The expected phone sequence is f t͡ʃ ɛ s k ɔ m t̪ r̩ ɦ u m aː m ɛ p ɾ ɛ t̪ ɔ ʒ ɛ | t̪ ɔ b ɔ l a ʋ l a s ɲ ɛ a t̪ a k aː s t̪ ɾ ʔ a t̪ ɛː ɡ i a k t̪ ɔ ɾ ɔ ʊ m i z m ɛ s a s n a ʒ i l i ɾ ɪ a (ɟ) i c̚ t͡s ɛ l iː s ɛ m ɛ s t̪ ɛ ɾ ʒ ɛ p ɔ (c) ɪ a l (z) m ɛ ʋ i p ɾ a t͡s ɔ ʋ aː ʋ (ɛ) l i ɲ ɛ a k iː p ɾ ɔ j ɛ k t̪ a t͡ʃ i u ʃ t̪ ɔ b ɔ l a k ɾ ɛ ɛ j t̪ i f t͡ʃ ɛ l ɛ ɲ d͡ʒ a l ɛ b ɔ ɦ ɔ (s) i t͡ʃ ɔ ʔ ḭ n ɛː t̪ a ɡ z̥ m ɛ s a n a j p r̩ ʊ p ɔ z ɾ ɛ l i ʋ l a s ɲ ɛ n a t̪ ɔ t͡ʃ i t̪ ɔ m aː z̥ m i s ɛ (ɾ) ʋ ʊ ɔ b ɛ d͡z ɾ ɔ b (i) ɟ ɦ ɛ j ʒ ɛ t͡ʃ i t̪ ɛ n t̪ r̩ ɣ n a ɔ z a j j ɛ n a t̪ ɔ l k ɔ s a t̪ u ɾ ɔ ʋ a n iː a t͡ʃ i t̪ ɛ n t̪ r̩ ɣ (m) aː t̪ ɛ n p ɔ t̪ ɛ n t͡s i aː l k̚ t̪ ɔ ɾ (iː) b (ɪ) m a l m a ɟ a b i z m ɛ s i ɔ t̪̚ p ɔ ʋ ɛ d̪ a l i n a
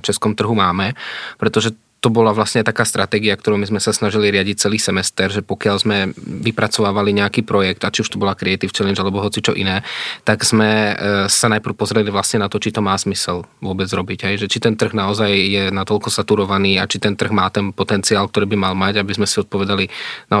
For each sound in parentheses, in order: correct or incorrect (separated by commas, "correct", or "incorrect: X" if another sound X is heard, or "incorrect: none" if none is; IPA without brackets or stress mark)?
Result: correct, incorrect: k, correct, incorrect: a, incorrect: t͡s, incorrect: l, correct, correct, correct, incorrect: i